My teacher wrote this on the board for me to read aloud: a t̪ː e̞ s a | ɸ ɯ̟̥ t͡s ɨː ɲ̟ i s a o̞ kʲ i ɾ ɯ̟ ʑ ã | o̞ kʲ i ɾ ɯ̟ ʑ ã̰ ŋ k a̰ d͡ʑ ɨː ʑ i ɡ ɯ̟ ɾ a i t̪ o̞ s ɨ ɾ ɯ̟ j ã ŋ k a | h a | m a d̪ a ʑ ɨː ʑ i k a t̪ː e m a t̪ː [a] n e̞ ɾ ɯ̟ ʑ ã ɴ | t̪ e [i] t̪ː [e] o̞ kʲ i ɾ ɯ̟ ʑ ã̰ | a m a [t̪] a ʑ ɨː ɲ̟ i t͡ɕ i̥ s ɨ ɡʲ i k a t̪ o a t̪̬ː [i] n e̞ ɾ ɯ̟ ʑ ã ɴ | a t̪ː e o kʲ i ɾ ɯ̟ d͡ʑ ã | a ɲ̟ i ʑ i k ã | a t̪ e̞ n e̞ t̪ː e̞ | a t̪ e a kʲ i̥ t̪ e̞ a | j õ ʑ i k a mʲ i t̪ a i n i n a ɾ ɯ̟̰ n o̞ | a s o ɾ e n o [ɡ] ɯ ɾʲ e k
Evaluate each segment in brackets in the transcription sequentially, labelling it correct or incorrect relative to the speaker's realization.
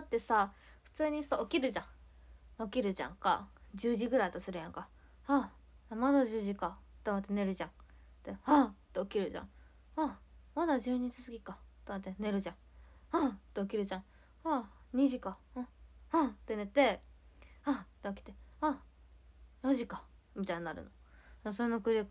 incorrect: e, incorrect: a, correct, incorrect: d̪, incorrect: e, incorrect: k

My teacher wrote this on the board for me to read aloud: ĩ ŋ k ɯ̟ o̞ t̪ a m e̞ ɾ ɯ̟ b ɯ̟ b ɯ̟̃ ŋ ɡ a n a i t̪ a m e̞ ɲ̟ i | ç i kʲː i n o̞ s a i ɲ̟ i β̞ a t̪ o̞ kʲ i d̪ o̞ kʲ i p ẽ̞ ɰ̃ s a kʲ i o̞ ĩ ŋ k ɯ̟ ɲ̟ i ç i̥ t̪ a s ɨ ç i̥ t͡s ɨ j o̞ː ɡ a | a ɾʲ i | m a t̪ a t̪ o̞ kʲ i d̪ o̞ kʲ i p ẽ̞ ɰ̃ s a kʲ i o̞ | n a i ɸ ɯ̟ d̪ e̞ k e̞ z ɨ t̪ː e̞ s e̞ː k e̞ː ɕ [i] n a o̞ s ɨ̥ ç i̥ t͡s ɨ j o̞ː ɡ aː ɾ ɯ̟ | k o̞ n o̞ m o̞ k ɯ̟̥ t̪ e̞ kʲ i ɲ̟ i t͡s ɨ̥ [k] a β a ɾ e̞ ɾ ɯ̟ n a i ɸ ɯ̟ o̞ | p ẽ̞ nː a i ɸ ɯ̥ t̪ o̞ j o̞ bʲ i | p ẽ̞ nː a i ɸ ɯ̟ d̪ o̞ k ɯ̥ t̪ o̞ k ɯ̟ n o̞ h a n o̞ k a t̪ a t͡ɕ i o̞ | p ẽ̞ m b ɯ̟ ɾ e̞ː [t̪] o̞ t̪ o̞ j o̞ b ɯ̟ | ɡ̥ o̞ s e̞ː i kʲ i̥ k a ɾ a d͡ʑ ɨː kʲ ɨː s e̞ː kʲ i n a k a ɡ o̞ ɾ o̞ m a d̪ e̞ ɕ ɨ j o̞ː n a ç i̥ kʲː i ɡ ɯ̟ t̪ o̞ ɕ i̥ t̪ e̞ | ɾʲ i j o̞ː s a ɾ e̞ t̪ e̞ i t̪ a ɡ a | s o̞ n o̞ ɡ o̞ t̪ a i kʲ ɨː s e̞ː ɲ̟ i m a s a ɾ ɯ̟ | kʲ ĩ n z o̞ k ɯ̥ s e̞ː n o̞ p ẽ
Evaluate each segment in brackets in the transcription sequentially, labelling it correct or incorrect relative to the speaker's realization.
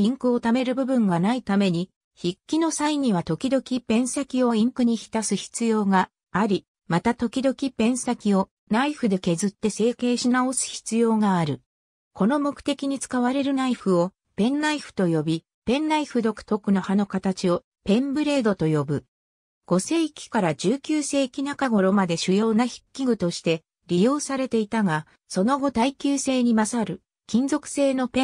correct, correct, incorrect: d̪

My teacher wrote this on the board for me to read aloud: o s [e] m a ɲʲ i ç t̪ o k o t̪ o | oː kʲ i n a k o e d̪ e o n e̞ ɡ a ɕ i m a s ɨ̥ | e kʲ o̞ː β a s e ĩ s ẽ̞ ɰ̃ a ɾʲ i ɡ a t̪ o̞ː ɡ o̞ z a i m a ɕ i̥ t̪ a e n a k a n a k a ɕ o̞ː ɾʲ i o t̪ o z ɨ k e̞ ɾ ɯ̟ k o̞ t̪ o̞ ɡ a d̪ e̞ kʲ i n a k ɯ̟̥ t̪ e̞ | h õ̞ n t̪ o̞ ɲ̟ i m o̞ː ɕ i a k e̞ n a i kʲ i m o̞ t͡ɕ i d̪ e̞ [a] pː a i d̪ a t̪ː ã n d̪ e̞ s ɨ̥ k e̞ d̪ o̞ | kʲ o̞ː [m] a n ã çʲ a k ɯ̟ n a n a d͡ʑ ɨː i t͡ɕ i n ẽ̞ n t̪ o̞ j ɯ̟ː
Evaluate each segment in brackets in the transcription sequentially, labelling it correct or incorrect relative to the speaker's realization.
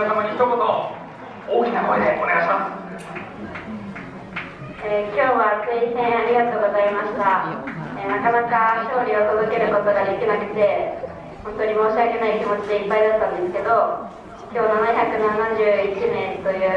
incorrect: a, incorrect: i, incorrect: n

